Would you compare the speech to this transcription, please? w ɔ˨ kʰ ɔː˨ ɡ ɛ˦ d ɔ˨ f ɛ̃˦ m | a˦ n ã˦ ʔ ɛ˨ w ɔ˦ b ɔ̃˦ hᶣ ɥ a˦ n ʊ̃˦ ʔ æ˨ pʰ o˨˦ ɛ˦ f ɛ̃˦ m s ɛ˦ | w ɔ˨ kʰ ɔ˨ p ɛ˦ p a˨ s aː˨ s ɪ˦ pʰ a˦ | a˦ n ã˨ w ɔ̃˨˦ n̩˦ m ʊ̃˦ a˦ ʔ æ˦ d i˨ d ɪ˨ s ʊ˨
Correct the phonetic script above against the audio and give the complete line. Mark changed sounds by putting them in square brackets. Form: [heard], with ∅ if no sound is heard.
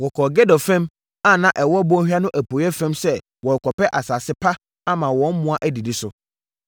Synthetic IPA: w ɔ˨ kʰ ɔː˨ ɡ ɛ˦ d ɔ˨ f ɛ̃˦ m | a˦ n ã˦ ʔ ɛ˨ w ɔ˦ b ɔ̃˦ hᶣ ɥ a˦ n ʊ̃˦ ʔ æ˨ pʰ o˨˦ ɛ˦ f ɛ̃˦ m s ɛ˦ | w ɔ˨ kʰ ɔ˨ p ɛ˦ [ʔ] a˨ s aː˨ s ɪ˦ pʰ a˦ | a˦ [m] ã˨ w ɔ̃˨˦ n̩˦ m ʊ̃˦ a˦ ʔ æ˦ d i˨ d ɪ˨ s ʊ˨